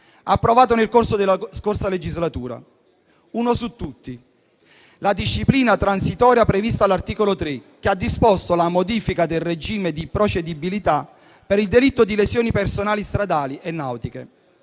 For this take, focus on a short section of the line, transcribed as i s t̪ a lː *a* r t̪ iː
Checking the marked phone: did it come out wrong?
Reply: no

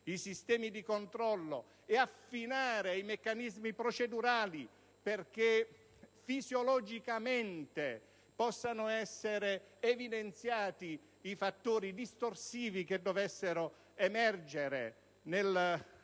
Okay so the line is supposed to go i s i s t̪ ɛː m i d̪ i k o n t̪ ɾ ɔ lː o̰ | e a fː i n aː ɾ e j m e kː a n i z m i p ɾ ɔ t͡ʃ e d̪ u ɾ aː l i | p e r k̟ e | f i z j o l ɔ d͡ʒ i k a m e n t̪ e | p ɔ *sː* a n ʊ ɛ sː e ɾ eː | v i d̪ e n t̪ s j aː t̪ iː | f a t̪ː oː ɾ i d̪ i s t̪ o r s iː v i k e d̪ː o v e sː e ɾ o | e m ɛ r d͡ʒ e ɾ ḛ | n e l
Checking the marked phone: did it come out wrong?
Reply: no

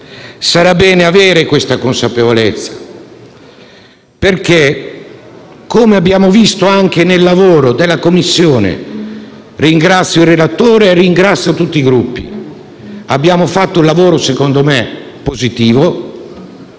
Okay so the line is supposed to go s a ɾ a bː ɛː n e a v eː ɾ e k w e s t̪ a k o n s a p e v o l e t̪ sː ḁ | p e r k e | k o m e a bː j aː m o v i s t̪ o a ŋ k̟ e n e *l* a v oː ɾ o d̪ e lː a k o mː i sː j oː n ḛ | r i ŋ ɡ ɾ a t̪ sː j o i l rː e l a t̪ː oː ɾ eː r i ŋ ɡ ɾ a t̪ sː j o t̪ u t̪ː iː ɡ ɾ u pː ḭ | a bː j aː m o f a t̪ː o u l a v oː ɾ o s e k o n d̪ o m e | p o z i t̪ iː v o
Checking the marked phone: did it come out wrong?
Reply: yes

